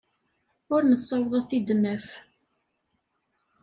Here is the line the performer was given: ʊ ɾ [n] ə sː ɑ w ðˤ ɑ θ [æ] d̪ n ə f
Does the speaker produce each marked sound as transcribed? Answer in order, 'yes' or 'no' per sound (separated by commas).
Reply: yes, no